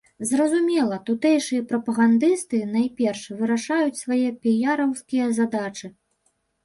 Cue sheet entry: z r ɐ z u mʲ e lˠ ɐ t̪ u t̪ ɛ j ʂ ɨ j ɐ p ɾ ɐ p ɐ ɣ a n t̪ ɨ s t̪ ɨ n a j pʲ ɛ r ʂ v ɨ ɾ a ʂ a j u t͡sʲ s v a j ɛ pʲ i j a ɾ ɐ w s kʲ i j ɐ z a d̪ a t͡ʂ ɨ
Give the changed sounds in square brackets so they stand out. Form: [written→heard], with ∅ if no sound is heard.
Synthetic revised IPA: z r ɐ z u mʲ [e→ɛ] lˠ ɐ t̪ u t̪ ɛ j ʂ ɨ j ɐ p ɾ ɐ p ɐ ɣ a n [t̪→d̪] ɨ s t̪ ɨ n a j pʲ ɛ r ʂ v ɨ ɾ a ʂ a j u t͡sʲ s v a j ɛ pʲ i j a ɾ ɐ w s kʲ i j ɐ z a d̪ a t͡ʂ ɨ

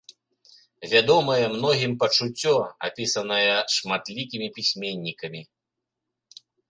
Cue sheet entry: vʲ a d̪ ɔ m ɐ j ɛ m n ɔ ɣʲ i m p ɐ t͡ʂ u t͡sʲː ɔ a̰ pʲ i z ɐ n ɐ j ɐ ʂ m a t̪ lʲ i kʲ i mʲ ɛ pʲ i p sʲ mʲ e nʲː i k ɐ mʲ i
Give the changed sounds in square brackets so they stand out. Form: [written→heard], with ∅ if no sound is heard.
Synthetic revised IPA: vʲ a d̪ ɔ m ɐ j ɛ m n ɔ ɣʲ i m p ɐ t͡ʂ u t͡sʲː ɔ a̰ pʲ i [z→s] ɐ n ɐ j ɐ ʂ m a t̪ lʲ i kʲ i mʲ [ɛ→i] pʲ i [p→∅] sʲ mʲ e nʲː i k ɐ mʲ i

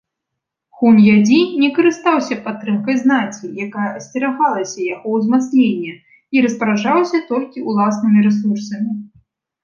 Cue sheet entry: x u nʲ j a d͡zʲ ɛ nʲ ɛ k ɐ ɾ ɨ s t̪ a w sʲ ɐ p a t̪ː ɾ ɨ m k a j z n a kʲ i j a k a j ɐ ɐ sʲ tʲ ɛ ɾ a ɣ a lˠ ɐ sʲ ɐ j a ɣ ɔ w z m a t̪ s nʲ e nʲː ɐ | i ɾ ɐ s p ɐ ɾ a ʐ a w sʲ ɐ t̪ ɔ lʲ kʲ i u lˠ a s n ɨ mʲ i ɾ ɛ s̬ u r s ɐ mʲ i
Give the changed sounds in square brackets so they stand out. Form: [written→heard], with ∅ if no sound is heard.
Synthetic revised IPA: x u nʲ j a d͡zʲ [ɛ→i] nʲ ɛ k ɐ ɾ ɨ s t̪ a w sʲ ɐ p a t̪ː ɾ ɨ m k [a→ɐ] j z n a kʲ i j a k a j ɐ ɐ sʲ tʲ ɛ ɾ a ɣ a lˠ ɐ sʲ ɐ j a ɣ ɔ w z m a t̪ s nʲ e nʲː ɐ | i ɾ ɐ s p ɐ ɾ a ʐ a w sʲ ɐ t̪ ɔ lʲ kʲ i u lˠ a s n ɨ mʲ i ɾ ɛ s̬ u r s ɐ mʲ i

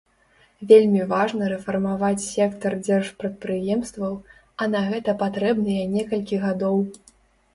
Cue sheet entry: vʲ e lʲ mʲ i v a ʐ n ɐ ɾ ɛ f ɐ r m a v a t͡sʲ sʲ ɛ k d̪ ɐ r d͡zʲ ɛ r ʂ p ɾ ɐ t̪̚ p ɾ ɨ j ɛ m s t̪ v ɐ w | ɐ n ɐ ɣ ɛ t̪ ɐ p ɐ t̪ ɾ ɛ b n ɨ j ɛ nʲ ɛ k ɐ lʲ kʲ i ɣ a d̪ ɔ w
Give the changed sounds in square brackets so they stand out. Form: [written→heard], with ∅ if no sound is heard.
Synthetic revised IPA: vʲ e lʲ mʲ i v a ʐ n ɐ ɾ ɛ f ɐ r m a v a t͡sʲ sʲ ɛ k [d̪→t̪] ɐ r d͡zʲ ɛ r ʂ p ɾ ɐ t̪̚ p ɾ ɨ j ɛ m s t̪ v ɐ w | ɐ n ɐ ɣ ɛ t̪ ɐ p [ɐ→a] t̪ ɾ ɛ b n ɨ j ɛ nʲ ɛ k ɐ lʲ kʲ i ɣ a d̪ ɔ w

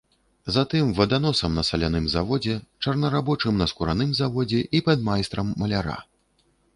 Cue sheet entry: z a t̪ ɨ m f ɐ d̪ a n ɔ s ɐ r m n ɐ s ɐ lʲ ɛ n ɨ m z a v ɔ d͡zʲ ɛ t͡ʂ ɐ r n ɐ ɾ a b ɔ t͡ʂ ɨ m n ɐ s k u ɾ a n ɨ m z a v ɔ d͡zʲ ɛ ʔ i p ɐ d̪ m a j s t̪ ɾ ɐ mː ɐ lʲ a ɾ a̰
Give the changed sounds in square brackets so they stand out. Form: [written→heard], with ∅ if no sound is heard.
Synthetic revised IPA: z a t̪ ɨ m [f→v] ɐ d̪ a n ɔ s ɐ [r→∅] m n ɐ s ɐ lʲ [ɛ→a] n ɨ m z a v ɔ d͡zʲ ɛ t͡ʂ ɐ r n ɐ ɾ a b ɔ t͡ʂ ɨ m n ɐ s k u ɾ a n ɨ m z a v ɔ d͡zʲ ɛ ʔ i p ɐ d̪ m a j s t̪ ɾ ɐ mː ɐ lʲ a ɾ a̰

